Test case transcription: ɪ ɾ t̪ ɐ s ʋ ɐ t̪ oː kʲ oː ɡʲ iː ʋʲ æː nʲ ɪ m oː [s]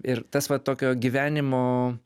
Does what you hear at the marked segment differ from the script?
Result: yes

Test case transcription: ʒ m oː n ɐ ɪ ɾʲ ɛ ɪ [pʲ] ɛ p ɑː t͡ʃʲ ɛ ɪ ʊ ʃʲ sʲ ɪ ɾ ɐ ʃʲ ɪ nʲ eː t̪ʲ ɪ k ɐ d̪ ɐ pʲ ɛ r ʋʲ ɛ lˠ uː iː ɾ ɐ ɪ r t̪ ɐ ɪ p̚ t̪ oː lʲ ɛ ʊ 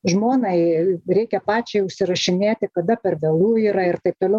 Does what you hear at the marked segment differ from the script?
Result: yes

